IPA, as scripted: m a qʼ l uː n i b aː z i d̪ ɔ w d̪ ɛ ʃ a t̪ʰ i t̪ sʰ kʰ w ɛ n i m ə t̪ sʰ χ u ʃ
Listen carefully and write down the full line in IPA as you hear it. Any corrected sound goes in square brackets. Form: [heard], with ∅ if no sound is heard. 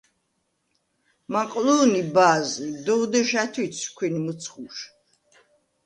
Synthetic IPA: m a qʼ l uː n i b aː z i d̪ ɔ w d̪ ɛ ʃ a t̪ʰ i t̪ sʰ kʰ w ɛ n i m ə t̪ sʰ χ u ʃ